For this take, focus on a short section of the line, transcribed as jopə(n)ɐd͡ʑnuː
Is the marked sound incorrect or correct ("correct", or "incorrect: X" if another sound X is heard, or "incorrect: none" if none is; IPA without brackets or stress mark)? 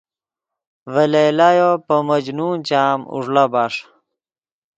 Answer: incorrect: m